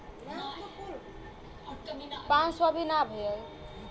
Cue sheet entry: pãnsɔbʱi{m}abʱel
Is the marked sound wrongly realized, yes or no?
yes